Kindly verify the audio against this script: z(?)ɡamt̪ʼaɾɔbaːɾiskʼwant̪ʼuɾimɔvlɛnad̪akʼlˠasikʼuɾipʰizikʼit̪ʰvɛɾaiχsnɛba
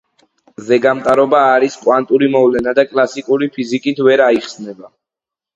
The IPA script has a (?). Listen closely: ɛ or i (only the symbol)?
ɛ